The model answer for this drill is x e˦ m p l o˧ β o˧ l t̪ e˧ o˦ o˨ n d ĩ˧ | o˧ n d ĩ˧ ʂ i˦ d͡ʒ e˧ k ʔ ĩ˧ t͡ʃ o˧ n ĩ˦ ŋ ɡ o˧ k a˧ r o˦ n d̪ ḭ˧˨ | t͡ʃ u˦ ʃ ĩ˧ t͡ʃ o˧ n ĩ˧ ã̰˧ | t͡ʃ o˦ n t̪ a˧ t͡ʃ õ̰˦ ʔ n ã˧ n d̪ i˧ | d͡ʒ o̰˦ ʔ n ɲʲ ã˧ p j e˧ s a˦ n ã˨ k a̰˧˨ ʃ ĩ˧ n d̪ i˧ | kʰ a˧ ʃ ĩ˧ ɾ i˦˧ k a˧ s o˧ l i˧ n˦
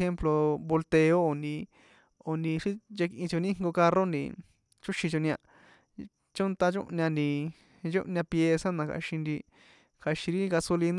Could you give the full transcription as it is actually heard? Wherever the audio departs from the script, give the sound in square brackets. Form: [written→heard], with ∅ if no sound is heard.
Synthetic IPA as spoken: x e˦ m p l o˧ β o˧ l t̪ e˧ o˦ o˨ n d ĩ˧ | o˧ n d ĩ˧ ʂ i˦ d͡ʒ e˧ k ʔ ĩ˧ t͡ʃ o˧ n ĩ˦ ŋ ɡ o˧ k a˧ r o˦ n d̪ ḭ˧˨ | t͡ʃ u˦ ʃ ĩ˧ t͡ʃ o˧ n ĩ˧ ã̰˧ | t͡ʃ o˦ n t̪ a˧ t͡ʃ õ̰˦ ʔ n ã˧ n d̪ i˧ | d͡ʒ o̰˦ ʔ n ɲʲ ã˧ p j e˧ s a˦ n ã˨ k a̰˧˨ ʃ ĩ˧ n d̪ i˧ | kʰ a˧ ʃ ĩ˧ ɾ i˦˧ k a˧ s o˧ l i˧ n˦